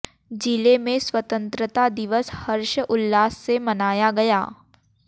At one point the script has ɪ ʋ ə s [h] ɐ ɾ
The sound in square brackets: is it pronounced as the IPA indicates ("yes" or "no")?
yes